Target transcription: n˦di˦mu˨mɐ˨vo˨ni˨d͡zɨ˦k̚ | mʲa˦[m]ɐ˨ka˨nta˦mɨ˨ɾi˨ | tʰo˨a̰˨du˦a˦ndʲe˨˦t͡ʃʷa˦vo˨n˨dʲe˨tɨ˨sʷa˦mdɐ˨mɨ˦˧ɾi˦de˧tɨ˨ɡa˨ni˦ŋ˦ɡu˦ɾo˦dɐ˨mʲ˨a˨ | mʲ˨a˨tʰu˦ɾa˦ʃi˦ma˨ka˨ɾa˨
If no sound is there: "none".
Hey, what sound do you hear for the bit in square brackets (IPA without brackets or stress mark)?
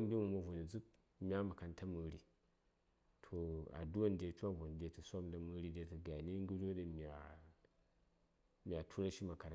m